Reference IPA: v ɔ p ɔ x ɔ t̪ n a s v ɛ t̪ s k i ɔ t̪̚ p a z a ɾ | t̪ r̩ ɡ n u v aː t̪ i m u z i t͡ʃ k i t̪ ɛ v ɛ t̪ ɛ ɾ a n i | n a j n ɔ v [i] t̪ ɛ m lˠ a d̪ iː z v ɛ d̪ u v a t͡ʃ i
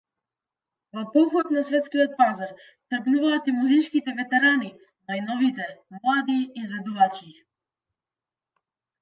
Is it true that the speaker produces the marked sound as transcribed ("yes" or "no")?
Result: yes